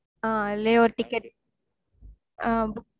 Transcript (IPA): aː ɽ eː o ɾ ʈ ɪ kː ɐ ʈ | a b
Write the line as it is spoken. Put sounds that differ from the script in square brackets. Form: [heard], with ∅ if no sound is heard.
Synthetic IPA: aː [l] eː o ɾ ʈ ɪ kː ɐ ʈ | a b